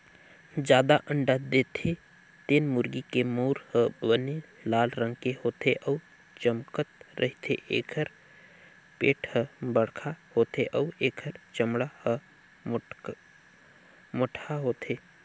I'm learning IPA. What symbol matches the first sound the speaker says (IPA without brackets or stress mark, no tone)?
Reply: d͡ʒ